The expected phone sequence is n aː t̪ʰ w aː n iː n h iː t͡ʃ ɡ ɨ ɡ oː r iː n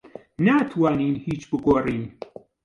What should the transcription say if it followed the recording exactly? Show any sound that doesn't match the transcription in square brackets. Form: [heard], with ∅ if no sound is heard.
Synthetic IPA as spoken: n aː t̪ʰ w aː n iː n h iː t͡ʃ [b] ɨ ɡ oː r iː n